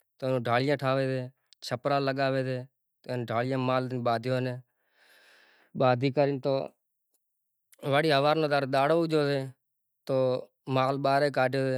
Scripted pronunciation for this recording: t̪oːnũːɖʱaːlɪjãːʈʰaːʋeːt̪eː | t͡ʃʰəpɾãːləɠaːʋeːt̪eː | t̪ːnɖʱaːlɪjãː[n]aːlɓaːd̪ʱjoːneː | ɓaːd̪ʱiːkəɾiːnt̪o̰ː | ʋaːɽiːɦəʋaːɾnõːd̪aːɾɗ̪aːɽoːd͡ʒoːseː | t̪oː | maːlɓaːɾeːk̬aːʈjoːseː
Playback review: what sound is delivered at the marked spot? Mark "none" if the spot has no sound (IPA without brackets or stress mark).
m